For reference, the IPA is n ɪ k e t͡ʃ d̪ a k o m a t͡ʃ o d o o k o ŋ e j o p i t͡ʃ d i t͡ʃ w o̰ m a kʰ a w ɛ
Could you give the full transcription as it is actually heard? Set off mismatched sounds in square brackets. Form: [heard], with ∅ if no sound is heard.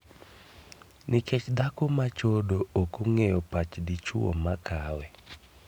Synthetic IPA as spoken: n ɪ k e t͡ʃ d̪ a k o m a t͡ʃ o d o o k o ŋ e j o p [a] t͡ʃ d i t͡ʃ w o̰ m a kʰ a w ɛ